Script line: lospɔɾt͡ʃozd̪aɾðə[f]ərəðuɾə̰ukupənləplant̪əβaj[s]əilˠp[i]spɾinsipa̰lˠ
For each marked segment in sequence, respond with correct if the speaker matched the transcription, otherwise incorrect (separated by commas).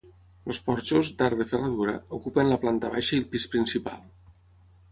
correct, incorrect, correct